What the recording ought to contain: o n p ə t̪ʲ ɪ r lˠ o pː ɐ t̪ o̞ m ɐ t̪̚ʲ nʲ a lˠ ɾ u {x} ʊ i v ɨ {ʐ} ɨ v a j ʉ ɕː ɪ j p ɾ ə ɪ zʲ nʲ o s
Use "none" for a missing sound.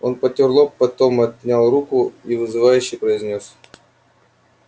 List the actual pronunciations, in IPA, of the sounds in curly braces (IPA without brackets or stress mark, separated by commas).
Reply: k, z